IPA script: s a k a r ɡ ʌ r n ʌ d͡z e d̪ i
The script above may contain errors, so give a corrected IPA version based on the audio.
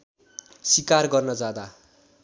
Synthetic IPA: s i k a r ɡ ʌ r n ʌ d͡z a d̪ a